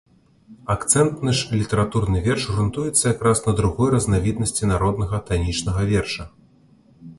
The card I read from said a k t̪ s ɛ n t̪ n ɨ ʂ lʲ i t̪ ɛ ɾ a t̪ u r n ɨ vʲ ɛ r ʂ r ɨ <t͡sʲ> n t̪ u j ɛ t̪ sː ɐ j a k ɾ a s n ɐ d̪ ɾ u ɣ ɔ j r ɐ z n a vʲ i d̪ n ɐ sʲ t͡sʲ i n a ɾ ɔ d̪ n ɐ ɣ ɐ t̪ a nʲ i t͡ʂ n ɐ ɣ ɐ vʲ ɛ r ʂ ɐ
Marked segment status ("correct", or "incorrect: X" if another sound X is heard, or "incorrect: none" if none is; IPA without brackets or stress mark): incorrect: none